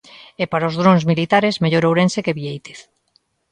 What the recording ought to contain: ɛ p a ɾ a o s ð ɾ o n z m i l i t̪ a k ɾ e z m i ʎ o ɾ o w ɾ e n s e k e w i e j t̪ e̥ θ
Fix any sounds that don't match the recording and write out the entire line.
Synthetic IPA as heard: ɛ p a ɾ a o z ð ɾ o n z m i l i t̪ a ɾ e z m e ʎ o ɾ o w ɾ e n s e k e β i e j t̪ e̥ θ